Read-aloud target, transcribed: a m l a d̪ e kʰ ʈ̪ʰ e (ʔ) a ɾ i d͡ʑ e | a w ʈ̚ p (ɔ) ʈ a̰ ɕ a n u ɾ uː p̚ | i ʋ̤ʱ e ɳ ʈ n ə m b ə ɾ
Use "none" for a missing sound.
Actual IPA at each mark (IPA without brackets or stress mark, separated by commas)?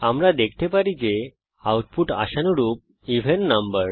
p, u